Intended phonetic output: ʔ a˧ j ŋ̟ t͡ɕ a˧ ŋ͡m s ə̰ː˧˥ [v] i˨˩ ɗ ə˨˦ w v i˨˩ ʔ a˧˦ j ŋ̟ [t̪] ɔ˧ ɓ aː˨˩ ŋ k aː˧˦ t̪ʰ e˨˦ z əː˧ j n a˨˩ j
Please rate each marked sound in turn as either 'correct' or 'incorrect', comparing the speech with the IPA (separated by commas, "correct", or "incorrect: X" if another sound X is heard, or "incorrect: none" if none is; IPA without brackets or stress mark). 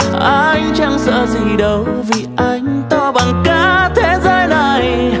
incorrect: z, correct